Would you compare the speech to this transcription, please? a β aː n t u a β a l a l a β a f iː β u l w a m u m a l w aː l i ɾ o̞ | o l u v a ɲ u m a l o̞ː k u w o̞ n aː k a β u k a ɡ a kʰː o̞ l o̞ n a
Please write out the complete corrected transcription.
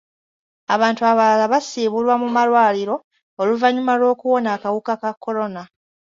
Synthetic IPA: a β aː n t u a β a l a l a β a s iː β u l w a m u m a l w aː l i ɾ o̞ | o l u v a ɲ u m a l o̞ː k u w o̞ n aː k a w u k a k a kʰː o̞ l o̞ n a